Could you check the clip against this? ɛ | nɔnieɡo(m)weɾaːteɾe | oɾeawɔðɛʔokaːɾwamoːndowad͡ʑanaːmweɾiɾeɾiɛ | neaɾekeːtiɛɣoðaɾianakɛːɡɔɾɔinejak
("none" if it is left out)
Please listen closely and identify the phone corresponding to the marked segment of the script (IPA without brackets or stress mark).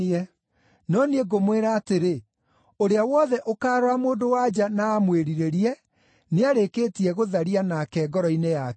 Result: m